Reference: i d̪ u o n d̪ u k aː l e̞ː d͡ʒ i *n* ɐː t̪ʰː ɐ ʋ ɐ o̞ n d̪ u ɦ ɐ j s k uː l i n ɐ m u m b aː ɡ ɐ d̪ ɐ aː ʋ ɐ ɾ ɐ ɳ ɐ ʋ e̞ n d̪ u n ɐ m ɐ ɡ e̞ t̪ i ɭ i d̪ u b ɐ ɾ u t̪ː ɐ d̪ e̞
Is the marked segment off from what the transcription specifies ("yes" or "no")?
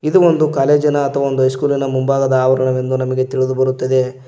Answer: no